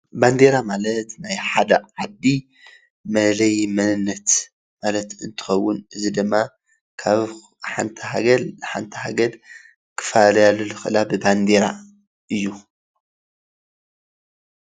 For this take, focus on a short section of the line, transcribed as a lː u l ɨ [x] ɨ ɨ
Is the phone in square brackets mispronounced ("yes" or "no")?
no